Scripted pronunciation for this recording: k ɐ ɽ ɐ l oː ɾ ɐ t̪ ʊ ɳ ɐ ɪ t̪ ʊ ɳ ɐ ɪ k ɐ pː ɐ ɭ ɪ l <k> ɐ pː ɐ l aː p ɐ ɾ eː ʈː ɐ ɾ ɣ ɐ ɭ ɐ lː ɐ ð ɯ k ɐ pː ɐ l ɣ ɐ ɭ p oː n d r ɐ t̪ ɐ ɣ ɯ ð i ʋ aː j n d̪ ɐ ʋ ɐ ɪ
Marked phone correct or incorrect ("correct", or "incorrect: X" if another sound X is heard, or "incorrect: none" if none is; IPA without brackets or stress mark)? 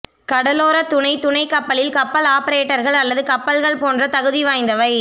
correct